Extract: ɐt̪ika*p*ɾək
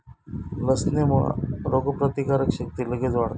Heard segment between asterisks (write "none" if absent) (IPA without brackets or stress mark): none